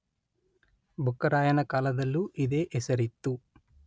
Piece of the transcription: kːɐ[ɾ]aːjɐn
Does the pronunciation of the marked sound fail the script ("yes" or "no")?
no